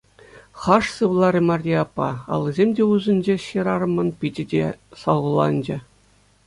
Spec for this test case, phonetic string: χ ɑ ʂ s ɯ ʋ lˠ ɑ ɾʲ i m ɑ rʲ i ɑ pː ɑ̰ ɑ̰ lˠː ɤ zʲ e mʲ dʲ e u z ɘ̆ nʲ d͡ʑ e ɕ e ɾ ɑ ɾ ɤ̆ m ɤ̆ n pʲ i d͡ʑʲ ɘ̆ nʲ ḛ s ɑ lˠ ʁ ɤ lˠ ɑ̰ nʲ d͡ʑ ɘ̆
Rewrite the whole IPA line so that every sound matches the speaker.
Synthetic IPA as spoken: χ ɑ ʂ s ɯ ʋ lˠ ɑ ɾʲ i m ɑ rʲ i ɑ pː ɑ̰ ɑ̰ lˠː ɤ zʲ e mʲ dʲ e u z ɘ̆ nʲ d͡ʑ e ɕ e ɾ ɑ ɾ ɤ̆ m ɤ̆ n pʲ i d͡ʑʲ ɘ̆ dʲ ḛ s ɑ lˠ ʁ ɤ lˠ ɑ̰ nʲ d͡ʑ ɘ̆